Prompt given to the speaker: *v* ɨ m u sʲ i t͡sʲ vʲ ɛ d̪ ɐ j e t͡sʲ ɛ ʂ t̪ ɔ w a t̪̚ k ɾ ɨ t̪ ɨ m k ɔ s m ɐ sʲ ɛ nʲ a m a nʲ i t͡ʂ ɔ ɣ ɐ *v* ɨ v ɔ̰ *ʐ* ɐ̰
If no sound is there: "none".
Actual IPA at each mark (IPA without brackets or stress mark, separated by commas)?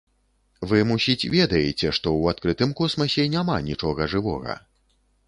v, ʐ, ɣ